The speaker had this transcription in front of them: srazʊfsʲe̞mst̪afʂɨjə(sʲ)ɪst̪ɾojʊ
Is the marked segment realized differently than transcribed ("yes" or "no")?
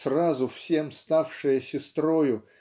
no